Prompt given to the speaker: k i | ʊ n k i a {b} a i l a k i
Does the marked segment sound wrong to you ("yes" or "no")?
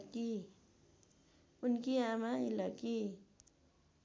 yes